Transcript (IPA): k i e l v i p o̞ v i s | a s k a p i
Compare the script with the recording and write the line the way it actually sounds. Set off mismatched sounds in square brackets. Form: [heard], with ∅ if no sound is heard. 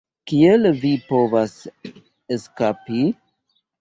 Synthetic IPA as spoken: k i e l v i p o̞ v [a] s | [e] s k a p i

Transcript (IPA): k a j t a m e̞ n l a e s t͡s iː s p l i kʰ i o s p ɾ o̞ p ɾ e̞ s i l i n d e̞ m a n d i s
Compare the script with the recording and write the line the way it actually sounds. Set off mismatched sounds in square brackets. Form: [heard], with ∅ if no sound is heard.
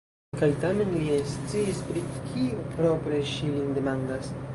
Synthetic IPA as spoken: k a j t a m e̞ n l [i] e s t͡s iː s p [ɾ] i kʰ i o [∅] p ɾ o̞ p ɾ e̞ [ʃ] i l i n d e̞ m a n d [a] s

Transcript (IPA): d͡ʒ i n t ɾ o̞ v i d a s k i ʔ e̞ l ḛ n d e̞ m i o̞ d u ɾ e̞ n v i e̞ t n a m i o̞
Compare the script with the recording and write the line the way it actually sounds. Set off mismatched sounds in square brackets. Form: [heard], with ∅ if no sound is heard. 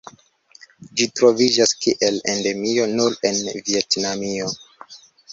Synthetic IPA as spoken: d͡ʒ i [∅] t ɾ o̞ v i [d͡ʒ] a s k i ʔ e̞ l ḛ n d e̞ m i o̞ [n] u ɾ e̞ n v i e̞ t n a m i o̞

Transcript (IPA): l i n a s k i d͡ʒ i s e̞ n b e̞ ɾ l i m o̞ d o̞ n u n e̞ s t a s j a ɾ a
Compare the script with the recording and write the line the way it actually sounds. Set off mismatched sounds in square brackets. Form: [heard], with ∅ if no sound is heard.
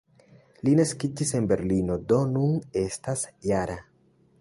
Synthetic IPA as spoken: l i n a s k i d͡ʒ i s e̞ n b e̞ ɾ l i [n] o̞ d o̞ n u n e̞ s t a s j a ɾ a

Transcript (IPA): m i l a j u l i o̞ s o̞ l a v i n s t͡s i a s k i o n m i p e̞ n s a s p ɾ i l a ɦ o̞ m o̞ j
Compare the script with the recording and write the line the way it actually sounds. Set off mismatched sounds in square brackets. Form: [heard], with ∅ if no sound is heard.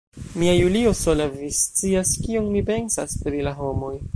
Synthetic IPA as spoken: m i [∅] a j u l i o̞ s o̞ l a v i [∅] s t͡s i a s k i o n m i p e̞ n s a s p ɾ i l a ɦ o̞ m o̞ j

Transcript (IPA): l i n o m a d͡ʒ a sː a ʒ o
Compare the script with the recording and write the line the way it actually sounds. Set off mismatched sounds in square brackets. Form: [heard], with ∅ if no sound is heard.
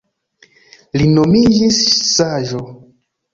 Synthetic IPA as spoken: l i n o m [i] d͡ʒ [i] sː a ʒ o

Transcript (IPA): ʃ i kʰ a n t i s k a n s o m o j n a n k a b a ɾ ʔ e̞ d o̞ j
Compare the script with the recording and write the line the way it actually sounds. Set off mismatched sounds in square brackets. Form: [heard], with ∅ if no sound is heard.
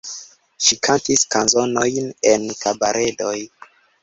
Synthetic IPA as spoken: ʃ i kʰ a n t i s k a n [z] o [n] o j n [e] n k a b a ɾ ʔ e̞ d o̞ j

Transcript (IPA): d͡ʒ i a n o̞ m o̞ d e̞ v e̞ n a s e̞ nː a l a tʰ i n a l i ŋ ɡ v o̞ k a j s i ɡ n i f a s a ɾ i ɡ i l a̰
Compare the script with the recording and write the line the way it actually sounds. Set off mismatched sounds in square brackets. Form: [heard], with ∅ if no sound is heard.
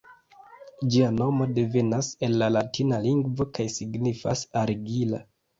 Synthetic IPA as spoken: d͡ʒ i a n o̞ m o̞ d e̞ v e̞ n a s e̞ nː a l a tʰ i n a l i ŋ ɡ v o̞ k a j s i ɡ n i f a s a ɾ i ɡ i l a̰

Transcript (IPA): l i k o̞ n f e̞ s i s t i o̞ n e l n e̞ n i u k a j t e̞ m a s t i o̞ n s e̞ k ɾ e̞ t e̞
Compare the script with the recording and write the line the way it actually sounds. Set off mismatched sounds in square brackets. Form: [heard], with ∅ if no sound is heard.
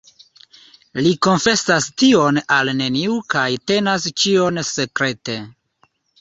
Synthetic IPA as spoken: l i k o̞ n f e̞ s [a] s t i o̞ n [a] l n e̞ n i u k a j t e̞ [n] a s [t͡ʃ] i o̞ n s e̞ k ɾ e̞ t e̞

